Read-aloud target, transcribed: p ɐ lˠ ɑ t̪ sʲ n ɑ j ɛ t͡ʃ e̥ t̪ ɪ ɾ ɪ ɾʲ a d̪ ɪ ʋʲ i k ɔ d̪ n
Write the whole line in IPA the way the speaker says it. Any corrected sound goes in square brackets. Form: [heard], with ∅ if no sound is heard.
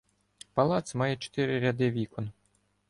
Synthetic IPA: p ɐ lˠ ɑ t̪ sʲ [m] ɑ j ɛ t͡ʃ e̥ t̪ ɪ ɾ ɪ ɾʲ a d̪ ɪ ʋʲ i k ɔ [∅] n